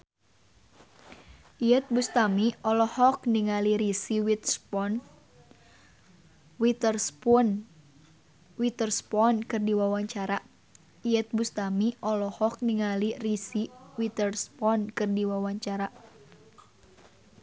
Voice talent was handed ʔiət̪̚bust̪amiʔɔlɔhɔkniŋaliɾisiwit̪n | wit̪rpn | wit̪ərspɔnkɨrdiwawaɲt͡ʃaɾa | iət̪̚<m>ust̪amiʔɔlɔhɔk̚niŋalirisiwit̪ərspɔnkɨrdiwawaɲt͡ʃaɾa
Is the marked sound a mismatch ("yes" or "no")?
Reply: yes